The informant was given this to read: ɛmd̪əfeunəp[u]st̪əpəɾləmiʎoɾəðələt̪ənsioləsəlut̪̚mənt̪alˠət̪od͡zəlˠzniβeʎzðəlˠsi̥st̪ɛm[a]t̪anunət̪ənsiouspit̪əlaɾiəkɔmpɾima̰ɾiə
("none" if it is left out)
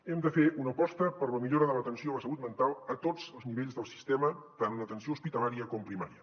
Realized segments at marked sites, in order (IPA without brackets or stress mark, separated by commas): ɔ, ə